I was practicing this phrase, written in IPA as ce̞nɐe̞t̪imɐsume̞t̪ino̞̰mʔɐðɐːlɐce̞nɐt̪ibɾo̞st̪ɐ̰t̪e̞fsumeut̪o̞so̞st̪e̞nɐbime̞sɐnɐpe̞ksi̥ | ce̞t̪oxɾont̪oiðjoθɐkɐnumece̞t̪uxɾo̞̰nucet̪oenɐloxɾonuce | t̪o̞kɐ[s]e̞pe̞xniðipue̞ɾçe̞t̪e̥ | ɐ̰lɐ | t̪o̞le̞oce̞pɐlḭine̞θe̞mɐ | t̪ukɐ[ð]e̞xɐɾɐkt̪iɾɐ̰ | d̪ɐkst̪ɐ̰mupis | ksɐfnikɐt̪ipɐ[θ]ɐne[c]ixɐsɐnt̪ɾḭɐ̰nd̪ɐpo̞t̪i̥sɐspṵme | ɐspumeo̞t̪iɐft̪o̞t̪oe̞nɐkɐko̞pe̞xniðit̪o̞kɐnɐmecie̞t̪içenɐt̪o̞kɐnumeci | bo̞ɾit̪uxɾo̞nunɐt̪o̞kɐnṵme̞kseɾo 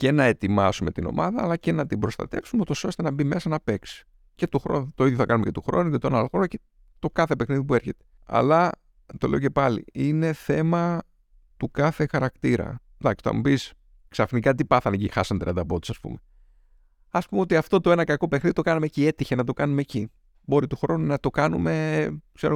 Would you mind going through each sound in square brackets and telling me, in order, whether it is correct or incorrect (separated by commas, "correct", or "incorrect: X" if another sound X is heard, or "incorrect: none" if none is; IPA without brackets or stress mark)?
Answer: incorrect: θ, incorrect: θ, correct, correct